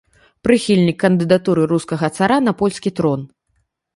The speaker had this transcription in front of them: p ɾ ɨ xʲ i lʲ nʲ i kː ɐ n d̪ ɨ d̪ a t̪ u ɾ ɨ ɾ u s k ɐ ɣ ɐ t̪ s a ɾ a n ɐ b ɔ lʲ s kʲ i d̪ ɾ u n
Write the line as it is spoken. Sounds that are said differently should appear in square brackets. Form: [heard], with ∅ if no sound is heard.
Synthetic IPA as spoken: p ɾ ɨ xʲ i lʲ nʲ i kː ɐ n d̪ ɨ d̪ a t̪ u ɾ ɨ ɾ u s k ɐ ɣ ɐ t̪ s a ɾ a n ɐ [p] ɔ lʲ s kʲ i [t̪] ɾ [ɔ] n

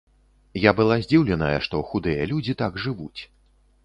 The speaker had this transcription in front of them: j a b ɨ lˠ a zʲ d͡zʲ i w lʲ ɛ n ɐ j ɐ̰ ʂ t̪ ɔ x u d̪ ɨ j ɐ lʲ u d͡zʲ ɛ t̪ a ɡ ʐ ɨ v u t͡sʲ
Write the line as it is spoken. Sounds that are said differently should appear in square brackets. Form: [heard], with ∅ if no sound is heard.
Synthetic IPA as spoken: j a b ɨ lˠ a zʲ d͡zʲ i w lʲ ɛ n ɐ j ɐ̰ ʂ t̪ ɔ x u d̪ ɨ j ɐ lʲ u d͡zʲ [i] t̪ a ɡ ʐ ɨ v u t͡sʲ

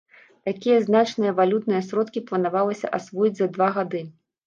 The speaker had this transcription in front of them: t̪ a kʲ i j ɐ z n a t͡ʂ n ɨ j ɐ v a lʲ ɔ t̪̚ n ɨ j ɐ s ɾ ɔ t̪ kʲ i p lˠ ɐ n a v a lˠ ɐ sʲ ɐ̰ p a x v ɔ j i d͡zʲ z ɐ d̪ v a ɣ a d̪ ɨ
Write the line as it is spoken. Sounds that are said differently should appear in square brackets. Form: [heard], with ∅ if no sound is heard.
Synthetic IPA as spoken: t̪ a kʲ i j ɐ z n a t͡ʂ n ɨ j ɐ v a lʲ [u] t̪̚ n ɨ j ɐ s ɾ ɔ t̪ kʲ i p lˠ ɐ n a v a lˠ ɐ sʲ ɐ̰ [ʔ] a [s] v ɔ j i d͡zʲ z ɐ d̪ v a ɣ a d̪ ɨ

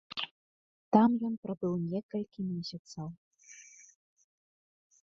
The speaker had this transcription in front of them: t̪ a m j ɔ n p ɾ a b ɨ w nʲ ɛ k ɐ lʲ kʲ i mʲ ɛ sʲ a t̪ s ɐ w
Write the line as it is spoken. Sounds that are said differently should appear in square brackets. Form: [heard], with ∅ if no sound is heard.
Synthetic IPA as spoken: t̪ a m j ɔ n p ɾ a b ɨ w nʲ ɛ k ɐ lʲ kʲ i mʲ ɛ sʲ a t̪ s ɐ w

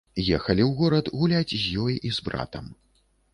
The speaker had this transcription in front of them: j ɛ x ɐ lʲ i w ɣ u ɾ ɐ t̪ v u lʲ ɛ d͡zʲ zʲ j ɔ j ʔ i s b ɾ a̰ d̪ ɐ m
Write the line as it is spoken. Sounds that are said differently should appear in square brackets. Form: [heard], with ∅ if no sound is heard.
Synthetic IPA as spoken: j ɛ x ɐ lʲ i w ɣ [ɔ] ɾ ɐ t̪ [ɣ] u lʲ [a] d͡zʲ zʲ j ɔ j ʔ i [z] b ɾ a̰ [t̪] ɐ m

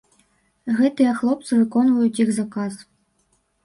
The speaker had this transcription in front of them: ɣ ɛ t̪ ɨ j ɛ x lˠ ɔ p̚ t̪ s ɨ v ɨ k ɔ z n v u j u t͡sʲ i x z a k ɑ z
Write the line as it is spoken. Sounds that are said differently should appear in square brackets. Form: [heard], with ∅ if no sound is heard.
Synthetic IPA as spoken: ɣ ɛ t̪ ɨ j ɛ x lˠ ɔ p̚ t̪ s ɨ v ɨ k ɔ [∅] n v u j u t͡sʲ i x z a k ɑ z

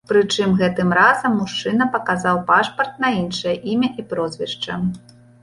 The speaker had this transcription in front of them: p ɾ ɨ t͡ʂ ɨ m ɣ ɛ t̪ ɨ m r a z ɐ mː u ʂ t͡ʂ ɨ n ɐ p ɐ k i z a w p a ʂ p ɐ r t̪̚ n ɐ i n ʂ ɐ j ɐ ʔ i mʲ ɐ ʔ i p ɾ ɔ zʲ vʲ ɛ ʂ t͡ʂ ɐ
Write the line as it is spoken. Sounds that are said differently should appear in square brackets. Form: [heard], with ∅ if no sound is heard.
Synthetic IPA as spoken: p ɾ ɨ t͡ʂ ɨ m ɣ ɛ t̪ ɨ m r a z ɐ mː u ʂ t͡ʂ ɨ n ɐ p ɐ k [a] z a w p a ʂ p ɐ r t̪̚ n ɐ i n ʂ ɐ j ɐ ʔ i mʲ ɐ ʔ i p ɾ ɔ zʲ vʲ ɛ ʂ t͡ʂ ɐ

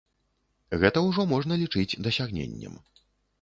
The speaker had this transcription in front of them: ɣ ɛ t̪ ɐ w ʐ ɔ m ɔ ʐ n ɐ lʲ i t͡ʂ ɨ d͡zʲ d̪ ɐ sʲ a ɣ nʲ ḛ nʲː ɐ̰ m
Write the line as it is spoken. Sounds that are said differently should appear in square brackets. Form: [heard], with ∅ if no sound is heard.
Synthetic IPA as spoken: ɣ ɛ t̪ ɐ w ʐ ɔ m ɔ ʐ n ɐ lʲ i t͡ʂ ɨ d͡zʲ d̪ ɐ sʲ a ɣ nʲ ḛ nʲː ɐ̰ m

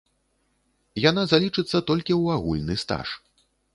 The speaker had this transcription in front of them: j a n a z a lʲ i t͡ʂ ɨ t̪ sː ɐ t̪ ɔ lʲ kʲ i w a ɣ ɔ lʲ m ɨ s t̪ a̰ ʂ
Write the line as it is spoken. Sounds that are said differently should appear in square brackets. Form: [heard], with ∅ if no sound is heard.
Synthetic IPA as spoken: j a n a z a lʲ i t͡ʂ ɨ t̪ sː ɐ t̪ ɔ lʲ kʲ i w a ɣ [u] lʲ [n] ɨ s t̪ a̰ ʂ

